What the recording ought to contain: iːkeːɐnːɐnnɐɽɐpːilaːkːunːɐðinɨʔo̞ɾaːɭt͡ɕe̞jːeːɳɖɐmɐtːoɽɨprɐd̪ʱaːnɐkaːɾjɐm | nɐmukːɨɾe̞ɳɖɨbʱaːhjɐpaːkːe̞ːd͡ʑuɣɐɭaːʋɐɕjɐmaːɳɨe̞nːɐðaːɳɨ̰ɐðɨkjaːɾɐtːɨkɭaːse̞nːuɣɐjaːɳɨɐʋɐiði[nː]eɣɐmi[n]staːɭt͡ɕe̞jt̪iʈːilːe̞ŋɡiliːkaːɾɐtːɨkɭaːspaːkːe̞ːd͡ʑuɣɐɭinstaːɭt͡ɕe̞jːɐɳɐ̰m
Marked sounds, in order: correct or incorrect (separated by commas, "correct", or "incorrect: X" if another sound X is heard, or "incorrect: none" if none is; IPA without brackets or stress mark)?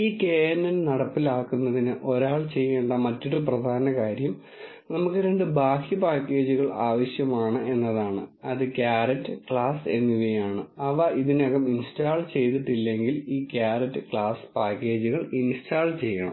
incorrect: n, correct